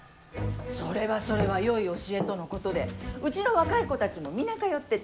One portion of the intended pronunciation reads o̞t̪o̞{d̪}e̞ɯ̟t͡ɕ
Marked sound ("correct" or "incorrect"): correct